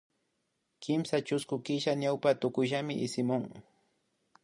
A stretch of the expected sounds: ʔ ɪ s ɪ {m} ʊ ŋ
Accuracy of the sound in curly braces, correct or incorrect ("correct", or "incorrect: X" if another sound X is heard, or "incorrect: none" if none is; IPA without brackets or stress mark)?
correct